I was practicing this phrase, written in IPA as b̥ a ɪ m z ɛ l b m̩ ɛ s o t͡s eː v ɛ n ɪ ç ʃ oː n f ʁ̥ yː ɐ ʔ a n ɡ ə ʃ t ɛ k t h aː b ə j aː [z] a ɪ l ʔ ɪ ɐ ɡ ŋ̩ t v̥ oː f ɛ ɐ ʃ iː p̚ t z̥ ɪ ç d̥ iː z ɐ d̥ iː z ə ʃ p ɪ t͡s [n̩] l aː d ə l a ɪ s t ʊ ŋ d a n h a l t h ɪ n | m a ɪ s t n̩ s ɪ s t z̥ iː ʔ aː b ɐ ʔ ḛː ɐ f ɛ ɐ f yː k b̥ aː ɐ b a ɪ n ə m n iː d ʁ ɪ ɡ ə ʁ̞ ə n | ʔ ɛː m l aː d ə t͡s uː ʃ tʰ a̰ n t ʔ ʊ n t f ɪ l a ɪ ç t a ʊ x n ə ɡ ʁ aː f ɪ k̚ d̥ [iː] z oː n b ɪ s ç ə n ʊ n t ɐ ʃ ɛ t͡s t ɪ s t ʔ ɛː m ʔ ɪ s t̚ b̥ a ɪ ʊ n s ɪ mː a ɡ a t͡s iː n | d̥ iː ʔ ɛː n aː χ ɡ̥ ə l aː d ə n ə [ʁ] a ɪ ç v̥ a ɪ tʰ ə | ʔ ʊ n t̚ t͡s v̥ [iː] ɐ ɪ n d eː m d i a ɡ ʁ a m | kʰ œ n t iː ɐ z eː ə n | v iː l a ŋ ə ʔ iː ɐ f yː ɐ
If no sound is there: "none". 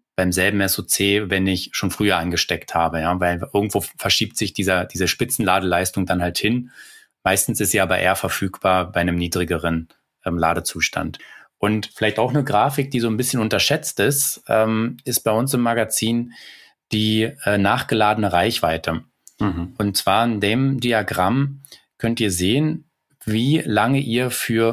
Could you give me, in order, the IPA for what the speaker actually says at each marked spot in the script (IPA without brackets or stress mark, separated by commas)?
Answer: v, n̩, iː, ʁ, aː